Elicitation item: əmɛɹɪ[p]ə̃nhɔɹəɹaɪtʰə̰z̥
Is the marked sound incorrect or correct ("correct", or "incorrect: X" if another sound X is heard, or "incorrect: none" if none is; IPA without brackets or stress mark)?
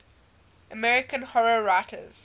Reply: incorrect: k